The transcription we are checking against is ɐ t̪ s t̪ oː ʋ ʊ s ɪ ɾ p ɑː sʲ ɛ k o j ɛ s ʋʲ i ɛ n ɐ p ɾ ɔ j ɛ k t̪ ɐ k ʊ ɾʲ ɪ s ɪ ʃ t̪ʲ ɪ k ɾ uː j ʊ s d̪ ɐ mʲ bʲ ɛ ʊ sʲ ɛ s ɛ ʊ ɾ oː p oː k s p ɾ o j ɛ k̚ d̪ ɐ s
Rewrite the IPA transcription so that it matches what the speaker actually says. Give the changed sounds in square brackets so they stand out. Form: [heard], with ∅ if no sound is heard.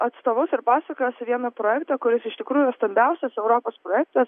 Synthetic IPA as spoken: ɐ t̪ s t̪ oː ʋ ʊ s ɪ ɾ p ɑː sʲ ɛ k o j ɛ s ʋʲ i ɛ n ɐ p ɾ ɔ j ɛ k t̪ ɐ k ʊ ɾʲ ɪ s ɪ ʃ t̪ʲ ɪ k ɾ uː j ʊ s [t̪] ɐ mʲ bʲ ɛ ʊ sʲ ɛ s ɛ ʊ ɾ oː p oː [∅] s p ɾ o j ɛ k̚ [t̪] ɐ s